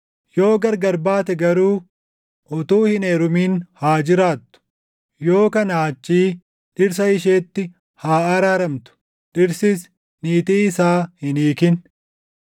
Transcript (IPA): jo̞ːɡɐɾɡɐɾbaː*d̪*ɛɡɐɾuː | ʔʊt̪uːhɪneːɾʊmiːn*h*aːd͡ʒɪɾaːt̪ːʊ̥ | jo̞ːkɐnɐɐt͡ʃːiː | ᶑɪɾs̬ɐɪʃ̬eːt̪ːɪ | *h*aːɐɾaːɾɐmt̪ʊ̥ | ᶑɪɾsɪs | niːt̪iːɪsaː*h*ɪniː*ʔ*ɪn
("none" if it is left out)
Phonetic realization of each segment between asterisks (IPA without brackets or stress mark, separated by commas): t̪, h, h, h, k